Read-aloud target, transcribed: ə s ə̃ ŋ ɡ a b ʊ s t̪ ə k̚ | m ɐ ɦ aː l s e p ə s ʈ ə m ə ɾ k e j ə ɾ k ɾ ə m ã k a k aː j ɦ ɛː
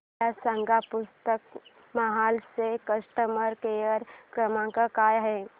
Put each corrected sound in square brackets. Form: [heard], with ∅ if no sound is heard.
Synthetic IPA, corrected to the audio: [a] s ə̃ ŋ ɡ a [p] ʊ s t̪ ə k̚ | m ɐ ɦ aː l s e [k] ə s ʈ ə m ə ɾ k e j ə ɾ k ɾ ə m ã k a k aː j ɦ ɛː